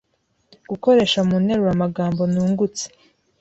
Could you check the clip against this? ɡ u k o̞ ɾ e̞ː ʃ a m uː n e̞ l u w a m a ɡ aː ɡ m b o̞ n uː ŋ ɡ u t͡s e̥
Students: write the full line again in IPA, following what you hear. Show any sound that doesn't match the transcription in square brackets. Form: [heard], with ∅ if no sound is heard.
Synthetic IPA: ɡ u k o̞ ɾ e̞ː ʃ a m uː n e̞ [ɾ] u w a m a ɡ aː [∅] m b o̞ n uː ŋ ɡ u t͡s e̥